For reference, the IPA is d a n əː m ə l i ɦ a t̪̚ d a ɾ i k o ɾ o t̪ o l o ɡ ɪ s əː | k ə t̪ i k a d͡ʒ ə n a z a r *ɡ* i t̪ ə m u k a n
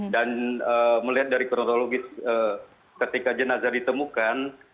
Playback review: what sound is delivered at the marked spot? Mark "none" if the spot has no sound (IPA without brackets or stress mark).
d